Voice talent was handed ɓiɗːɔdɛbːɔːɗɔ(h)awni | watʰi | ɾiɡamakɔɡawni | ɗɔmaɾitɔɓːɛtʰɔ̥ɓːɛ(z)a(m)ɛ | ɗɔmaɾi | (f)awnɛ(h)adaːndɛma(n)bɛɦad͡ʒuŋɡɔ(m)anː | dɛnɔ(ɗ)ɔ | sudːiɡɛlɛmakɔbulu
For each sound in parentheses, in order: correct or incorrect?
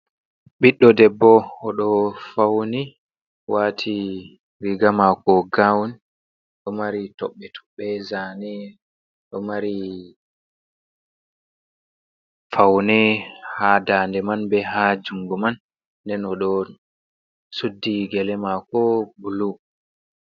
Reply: incorrect, correct, incorrect, correct, correct, correct, correct, correct

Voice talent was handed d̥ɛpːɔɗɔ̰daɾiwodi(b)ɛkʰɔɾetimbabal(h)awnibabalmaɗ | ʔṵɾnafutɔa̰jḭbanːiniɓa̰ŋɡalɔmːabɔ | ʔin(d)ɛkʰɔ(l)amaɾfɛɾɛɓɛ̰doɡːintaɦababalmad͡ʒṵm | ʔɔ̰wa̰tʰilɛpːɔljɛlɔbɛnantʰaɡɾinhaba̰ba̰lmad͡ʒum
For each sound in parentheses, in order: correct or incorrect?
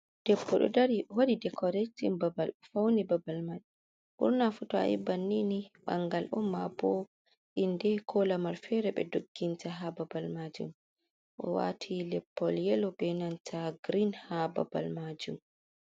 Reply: incorrect, incorrect, correct, correct

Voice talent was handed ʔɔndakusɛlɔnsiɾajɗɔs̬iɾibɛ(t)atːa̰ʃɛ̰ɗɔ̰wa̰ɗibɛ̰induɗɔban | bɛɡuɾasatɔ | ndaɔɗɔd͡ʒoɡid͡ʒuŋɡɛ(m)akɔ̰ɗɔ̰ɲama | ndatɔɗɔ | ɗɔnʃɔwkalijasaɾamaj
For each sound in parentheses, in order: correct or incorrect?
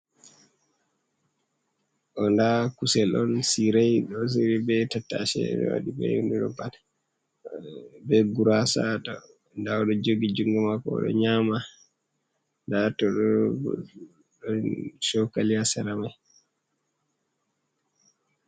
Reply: correct, correct

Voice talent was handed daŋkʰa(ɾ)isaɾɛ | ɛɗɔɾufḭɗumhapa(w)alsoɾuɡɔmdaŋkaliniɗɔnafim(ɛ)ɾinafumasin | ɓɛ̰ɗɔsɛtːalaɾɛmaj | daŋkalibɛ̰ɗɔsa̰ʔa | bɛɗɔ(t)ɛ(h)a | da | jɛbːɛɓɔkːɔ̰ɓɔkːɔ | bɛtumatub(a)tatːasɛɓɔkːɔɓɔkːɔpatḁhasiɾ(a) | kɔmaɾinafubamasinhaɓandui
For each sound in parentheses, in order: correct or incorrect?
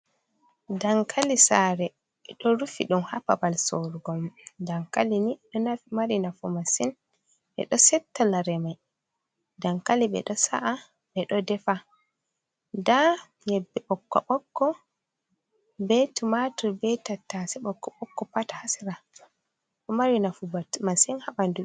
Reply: incorrect, incorrect, incorrect, incorrect, incorrect, incorrect, correct

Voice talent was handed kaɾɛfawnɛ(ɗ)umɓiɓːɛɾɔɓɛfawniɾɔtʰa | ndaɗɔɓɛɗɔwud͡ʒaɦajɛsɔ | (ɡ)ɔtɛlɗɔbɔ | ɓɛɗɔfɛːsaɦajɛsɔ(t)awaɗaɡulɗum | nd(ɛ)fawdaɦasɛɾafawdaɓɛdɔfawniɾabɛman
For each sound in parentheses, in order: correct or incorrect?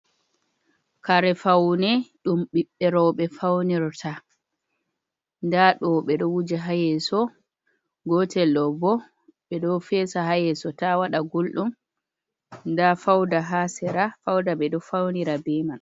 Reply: correct, correct, correct, incorrect

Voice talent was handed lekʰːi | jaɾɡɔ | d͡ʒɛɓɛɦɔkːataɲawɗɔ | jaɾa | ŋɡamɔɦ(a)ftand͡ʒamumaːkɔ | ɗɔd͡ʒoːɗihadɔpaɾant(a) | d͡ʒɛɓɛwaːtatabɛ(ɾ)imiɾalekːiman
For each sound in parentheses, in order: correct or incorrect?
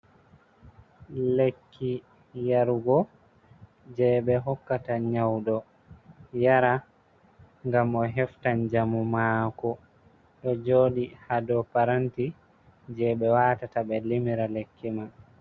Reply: incorrect, incorrect, incorrect

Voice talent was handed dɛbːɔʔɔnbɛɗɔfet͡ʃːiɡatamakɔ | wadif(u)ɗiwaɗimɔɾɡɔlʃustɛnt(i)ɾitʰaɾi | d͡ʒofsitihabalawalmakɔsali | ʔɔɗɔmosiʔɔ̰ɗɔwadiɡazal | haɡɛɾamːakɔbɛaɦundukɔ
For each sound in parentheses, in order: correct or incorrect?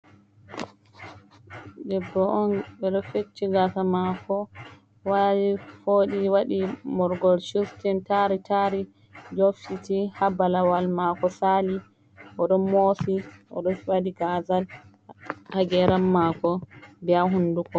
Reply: incorrect, incorrect

